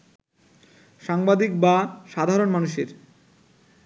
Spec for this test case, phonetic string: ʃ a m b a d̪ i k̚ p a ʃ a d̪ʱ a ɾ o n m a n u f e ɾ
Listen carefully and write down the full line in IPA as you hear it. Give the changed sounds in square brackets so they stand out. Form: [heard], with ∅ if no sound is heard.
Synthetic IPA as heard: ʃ a [ŋ] b a d̪ i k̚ [b] a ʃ a d̪ʱ a ɾ o n m a n u [ʃ] e ɾ